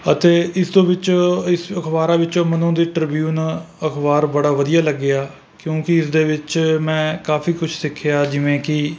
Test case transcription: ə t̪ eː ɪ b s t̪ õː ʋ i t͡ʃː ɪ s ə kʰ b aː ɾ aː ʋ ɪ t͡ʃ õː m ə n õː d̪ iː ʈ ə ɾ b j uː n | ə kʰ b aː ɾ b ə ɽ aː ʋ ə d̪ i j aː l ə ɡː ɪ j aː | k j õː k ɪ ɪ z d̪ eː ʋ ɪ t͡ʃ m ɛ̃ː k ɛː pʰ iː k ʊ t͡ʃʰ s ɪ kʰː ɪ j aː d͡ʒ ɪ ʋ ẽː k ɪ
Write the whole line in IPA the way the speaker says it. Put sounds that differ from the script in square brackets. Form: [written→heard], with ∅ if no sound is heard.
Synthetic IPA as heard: ə t̪ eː ɪ [b→∅] s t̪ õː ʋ [i→ɪ] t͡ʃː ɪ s ə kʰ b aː ɾ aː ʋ ɪ t͡ʃ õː m ə n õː d̪ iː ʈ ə ɾ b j uː n | ə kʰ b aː ɾ b ə ɽ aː ʋ ə d̪ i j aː l ə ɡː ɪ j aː | k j õː k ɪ ɪ [z→s] d̪ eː ʋ ɪ t͡ʃ m ɛ̃ː k [ɛː→aː] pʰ iː k ʊ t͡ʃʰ s ɪ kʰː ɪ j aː d͡ʒ ɪ ʋ ẽː k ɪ